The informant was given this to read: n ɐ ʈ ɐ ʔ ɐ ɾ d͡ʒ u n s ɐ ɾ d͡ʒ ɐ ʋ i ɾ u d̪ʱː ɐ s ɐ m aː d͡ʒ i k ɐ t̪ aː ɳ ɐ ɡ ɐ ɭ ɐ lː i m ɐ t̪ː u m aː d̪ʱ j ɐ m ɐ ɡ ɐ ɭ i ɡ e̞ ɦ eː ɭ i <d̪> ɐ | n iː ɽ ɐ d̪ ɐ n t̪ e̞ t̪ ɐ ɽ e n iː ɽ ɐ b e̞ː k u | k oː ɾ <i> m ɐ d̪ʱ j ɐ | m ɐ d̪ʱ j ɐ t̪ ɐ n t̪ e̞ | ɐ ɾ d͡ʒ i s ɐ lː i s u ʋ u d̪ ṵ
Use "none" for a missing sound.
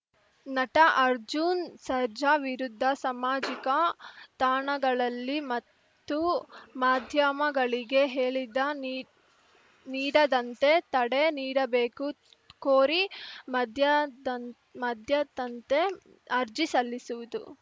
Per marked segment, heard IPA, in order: d̪, i

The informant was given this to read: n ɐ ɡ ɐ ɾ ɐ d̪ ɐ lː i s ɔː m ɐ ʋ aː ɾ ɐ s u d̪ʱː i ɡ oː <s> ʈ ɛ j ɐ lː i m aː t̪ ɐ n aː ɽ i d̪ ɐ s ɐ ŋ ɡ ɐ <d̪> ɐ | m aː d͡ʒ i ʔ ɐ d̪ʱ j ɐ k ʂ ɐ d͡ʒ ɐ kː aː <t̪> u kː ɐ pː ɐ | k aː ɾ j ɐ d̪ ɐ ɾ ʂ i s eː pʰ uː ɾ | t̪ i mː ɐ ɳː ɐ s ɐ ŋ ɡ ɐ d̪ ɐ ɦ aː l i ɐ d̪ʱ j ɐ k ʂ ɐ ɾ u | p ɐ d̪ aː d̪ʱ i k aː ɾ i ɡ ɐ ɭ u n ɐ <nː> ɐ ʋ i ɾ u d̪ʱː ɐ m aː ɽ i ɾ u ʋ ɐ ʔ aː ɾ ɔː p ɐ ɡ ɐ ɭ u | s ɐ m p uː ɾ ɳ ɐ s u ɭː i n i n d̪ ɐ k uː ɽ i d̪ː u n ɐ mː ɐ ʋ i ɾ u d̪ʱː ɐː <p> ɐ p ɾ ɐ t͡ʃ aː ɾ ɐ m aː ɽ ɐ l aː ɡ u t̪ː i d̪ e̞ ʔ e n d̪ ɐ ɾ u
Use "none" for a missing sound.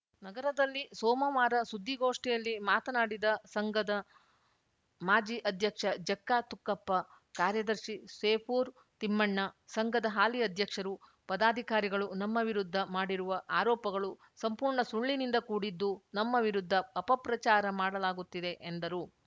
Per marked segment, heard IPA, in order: ʂ, d̪, t̪, mː, p

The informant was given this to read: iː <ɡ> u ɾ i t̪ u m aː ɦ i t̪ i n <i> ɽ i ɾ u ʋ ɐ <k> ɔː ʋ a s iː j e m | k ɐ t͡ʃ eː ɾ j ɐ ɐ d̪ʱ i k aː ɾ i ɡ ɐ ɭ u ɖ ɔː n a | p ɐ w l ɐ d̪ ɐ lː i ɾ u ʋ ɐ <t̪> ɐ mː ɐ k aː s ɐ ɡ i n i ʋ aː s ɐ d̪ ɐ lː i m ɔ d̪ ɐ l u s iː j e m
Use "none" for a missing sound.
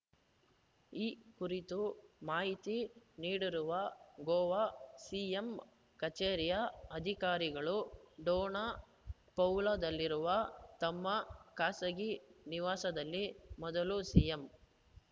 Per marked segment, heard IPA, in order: k, iː, ɡ, t̪

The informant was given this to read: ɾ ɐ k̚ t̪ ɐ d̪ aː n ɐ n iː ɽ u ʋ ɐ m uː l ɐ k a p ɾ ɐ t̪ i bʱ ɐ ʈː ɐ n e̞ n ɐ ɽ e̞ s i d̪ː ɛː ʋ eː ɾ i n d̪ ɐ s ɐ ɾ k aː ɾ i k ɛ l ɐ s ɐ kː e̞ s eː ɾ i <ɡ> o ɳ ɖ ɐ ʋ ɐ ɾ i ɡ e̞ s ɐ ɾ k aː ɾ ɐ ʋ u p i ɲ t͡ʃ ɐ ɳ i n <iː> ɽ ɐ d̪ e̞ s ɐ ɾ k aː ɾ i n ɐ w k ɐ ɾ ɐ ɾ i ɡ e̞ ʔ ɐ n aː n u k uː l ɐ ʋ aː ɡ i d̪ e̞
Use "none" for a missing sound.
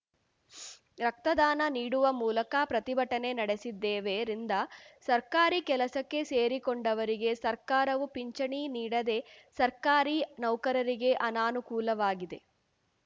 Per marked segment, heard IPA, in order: k, iː

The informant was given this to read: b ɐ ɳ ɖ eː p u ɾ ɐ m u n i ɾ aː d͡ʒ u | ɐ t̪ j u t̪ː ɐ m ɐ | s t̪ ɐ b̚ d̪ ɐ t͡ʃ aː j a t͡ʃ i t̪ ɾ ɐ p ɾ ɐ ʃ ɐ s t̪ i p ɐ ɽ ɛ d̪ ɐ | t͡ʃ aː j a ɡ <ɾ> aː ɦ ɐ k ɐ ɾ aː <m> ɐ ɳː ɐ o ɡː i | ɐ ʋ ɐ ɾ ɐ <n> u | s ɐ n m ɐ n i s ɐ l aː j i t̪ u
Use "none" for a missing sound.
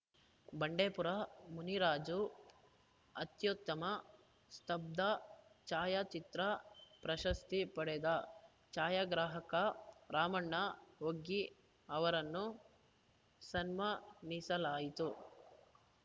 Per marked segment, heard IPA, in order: ɾ, m, nː

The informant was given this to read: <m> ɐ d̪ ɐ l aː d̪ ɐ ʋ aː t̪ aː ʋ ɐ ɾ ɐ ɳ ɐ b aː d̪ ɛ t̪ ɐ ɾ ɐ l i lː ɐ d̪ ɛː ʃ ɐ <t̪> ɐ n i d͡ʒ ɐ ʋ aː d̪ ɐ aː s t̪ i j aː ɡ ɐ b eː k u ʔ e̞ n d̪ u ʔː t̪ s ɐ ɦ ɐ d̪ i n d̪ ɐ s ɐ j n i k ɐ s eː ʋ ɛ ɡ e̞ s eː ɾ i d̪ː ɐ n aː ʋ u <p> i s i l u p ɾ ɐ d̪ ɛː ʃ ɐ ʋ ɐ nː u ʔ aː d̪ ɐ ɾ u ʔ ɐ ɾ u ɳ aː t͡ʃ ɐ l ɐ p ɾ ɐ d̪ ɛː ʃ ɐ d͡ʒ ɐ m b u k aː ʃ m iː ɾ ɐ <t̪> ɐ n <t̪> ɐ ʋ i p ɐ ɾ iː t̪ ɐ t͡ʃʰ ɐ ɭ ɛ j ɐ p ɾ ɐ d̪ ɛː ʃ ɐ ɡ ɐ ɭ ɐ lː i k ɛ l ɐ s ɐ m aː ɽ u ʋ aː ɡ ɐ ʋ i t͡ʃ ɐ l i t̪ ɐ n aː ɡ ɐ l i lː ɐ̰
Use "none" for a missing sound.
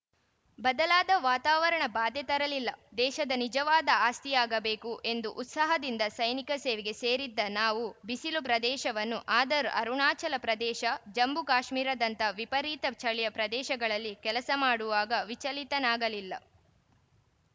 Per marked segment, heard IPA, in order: b, d̪, b, d̪, t̪

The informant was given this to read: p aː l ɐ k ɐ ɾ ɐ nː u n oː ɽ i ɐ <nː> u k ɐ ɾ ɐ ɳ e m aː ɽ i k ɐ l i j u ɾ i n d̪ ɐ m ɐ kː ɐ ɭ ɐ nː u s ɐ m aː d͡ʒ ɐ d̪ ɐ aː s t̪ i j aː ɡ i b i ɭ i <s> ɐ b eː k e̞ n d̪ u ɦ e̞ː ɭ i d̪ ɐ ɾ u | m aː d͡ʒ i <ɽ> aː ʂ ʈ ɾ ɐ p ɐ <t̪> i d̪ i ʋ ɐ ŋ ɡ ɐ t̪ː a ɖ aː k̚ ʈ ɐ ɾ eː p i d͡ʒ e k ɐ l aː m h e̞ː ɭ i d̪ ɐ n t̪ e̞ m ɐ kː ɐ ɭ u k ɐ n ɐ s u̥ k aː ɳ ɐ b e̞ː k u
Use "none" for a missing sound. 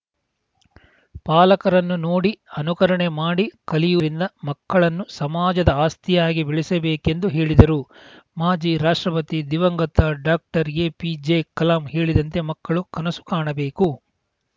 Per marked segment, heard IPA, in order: n, s, ɾ, t̪

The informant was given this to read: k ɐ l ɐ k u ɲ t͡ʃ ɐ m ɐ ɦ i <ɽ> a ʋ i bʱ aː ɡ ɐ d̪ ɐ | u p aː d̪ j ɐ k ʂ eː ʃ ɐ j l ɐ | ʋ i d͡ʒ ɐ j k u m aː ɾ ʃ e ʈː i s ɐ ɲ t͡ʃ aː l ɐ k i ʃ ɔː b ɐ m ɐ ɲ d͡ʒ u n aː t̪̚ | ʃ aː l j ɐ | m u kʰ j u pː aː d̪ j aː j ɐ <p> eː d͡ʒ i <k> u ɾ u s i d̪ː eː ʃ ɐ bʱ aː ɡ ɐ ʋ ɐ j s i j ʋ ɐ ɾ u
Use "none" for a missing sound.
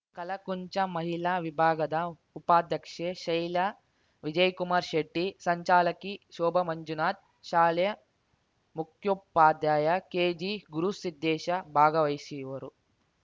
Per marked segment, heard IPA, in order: l, k, ɡ

